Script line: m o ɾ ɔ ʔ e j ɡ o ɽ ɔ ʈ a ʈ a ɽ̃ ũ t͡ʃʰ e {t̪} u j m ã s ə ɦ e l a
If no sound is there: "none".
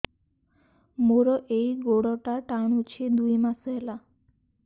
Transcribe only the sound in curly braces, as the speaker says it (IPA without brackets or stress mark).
d̪